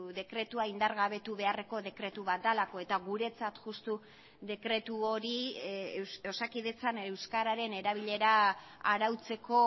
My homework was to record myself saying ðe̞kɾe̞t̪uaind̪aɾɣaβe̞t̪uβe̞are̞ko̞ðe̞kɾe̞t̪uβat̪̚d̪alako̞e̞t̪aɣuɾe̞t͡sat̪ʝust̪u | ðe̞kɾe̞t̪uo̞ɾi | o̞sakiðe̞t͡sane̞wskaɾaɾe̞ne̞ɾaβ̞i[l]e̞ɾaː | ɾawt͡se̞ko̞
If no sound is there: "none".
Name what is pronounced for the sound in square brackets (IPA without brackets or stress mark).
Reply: ʎ